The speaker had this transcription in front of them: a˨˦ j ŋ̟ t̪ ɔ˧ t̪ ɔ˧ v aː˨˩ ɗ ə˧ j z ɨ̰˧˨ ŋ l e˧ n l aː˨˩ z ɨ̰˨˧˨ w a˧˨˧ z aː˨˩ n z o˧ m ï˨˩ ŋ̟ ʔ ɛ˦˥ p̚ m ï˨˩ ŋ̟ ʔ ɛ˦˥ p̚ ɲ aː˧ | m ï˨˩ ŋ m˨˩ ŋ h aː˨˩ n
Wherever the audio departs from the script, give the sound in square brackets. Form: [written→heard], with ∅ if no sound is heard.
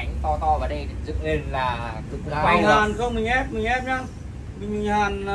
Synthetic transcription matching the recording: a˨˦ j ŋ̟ t̪ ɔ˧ t̪ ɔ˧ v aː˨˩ ɗ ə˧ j z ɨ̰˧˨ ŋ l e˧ n l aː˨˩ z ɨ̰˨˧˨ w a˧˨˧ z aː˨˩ n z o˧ m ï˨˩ ŋ̟ ʔ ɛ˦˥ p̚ m ï˨˩ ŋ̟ ʔ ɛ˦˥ p̚ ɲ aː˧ | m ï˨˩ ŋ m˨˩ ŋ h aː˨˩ n